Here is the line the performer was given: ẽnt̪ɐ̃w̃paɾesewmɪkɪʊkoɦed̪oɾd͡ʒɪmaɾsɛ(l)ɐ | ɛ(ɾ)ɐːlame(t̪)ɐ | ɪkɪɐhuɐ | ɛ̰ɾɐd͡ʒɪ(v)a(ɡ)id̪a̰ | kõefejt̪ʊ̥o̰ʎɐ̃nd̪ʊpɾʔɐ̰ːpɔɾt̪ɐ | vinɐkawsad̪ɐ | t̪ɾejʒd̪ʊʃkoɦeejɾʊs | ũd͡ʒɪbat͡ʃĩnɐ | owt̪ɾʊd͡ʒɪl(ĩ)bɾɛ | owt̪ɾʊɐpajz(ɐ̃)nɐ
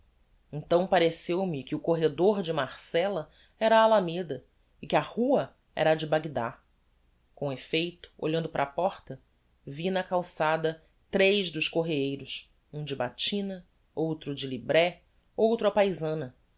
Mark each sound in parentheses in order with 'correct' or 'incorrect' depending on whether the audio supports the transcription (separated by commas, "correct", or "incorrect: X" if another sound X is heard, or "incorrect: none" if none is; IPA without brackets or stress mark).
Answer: correct, correct, incorrect: d̪, incorrect: b, correct, incorrect: i, correct